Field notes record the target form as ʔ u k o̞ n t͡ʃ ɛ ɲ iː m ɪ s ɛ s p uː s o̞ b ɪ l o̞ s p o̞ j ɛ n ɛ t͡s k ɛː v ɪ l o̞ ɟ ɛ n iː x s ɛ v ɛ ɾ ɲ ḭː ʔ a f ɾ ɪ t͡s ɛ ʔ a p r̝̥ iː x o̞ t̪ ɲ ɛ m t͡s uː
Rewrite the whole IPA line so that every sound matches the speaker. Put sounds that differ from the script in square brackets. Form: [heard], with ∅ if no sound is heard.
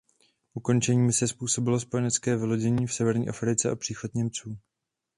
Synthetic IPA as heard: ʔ u k o̞ n t͡ʃ ɛ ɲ iː m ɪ s ɛ s p uː s o̞ b ɪ l o̞ s p o̞ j ɛ n ɛ t͡s k ɛː v ɪ l o̞ ɟ ɛ [ɲ] iː [f] s ɛ v ɛ ɾ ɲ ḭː ʔ a f ɾ ɪ t͡s ɛ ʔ a p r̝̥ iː x o̞ t̪ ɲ ɛ m t͡s uː